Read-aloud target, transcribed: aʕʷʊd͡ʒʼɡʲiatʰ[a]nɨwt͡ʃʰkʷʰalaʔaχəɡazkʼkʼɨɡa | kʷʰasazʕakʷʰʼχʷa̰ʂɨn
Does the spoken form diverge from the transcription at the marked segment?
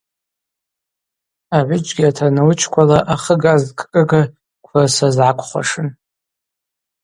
no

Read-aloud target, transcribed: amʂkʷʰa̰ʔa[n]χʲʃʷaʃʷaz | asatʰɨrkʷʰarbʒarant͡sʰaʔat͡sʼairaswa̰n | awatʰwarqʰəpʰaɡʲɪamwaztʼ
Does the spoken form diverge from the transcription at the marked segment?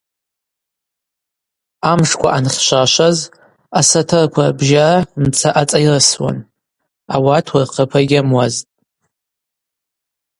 no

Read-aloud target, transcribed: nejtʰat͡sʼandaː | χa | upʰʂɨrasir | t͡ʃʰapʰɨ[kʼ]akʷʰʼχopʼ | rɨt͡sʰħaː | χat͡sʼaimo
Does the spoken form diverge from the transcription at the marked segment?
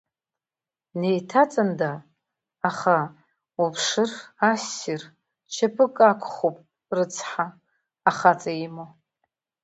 no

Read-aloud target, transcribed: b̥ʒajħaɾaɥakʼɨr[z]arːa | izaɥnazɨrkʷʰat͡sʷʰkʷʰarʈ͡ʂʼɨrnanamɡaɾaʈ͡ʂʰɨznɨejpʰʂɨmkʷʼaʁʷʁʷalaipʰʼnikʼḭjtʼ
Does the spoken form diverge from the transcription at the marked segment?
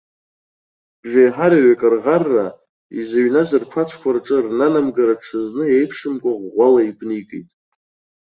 yes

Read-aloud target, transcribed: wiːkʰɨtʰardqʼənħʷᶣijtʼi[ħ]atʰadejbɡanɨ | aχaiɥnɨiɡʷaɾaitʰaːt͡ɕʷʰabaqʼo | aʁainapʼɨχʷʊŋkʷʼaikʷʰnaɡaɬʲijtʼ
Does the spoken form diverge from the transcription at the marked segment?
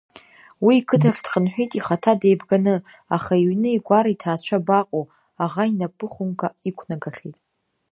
yes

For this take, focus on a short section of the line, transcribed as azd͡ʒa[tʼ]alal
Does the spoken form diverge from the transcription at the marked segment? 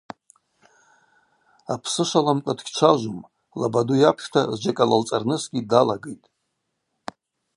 yes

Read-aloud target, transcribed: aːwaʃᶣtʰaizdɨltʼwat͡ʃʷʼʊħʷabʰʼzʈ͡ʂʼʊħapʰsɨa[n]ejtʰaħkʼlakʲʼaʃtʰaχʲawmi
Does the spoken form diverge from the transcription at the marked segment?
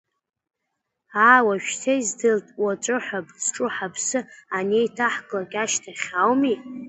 no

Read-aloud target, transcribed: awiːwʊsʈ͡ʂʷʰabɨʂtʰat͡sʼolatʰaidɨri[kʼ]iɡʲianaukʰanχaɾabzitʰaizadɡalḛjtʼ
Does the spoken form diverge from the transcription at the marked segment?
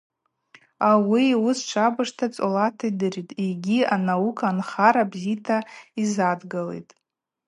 yes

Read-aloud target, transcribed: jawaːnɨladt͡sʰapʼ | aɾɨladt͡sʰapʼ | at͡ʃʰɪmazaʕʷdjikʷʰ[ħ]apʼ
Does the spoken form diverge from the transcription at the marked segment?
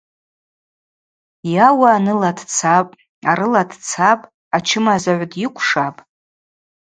yes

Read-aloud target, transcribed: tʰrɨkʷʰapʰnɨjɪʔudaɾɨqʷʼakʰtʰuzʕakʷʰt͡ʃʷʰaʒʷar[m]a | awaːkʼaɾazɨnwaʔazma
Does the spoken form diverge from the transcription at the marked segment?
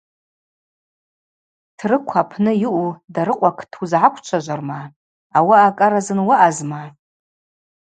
no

